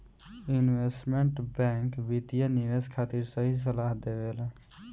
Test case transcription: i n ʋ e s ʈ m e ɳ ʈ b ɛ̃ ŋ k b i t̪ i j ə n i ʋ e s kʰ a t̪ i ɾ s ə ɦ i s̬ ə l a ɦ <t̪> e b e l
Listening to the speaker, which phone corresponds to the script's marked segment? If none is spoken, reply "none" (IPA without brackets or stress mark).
d̪